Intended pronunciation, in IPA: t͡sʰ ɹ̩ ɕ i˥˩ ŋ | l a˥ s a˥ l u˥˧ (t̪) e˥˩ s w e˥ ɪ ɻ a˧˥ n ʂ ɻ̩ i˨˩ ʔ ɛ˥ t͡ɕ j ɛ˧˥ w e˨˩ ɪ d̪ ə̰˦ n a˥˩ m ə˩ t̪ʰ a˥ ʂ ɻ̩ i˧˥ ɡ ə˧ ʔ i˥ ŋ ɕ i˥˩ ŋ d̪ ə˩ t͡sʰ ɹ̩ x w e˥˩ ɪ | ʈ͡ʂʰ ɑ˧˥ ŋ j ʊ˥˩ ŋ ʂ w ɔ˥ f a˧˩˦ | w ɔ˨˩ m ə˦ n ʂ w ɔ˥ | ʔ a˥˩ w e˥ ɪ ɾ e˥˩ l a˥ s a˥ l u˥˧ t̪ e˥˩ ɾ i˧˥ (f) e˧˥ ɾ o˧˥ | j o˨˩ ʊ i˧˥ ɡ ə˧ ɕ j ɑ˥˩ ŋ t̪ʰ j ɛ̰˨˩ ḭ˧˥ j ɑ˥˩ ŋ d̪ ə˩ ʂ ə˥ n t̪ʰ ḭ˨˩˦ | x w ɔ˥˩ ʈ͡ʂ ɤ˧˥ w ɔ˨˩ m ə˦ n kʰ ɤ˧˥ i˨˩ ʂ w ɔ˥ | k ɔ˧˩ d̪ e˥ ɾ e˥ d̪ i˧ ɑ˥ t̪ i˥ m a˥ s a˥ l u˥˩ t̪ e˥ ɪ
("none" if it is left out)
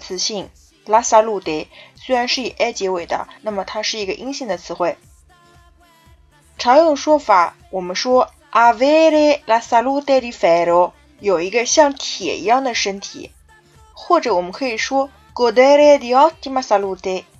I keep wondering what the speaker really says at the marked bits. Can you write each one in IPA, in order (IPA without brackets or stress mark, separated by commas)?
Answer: t̪, f